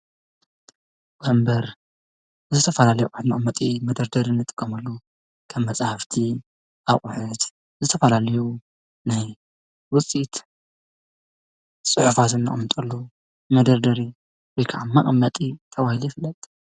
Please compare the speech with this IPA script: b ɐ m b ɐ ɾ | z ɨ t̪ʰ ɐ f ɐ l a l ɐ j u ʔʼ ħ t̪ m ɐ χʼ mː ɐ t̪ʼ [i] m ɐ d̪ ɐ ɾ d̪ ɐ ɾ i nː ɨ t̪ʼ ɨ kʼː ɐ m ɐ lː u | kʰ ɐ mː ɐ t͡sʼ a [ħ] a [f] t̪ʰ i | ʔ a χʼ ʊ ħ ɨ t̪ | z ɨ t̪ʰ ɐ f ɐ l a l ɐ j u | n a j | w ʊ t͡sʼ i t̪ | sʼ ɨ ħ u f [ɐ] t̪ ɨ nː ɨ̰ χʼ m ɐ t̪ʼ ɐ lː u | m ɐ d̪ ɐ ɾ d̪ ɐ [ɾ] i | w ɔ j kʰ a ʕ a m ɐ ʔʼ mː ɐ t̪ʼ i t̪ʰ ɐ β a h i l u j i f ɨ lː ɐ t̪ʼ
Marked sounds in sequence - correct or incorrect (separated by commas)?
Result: correct, incorrect, correct, incorrect, correct